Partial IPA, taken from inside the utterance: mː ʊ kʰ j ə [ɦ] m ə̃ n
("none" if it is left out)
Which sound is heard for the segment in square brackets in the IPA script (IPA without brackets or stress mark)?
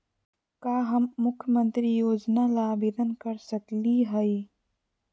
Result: none